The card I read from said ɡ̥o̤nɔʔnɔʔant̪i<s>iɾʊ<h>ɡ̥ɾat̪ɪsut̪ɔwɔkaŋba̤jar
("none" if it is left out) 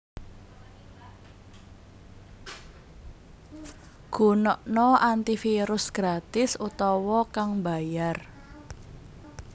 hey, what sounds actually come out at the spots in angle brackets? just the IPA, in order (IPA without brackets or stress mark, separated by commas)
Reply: f, s